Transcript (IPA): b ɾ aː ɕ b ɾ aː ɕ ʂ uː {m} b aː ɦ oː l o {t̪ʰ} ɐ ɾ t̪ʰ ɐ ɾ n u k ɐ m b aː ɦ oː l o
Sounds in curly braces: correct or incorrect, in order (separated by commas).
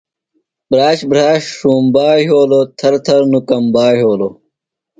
correct, correct